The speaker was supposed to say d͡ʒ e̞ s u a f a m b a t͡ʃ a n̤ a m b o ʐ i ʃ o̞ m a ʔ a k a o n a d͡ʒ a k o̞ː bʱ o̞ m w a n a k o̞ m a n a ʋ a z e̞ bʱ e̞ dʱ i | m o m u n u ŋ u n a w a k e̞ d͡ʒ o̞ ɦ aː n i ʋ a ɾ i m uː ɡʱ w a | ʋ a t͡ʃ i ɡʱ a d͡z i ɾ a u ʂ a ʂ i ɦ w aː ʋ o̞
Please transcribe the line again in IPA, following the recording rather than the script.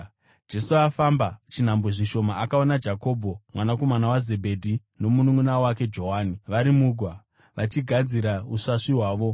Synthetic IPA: d͡ʒ e̞ s u a f a m b a t͡ʃ i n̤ a m b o ʐ i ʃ o̞ m a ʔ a k a o n a d͡ʒ a k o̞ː bʱ o̞ m w a n a k o̞ m a n a w a z e̞ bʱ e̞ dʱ i | n o m u n u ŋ u n a w a k e̞ d͡ʒ o̞ ɦ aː n i ʋ a ɾ i m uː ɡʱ w a | ʋ a t͡ʃ i ɡʱ a d͡z i ɾ a u ʂ a ʂ i ɦ w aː ʋ o̞